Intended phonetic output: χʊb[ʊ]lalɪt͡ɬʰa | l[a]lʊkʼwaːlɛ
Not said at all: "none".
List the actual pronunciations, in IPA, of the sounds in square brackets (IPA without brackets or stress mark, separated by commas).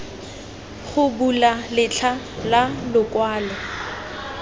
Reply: u, a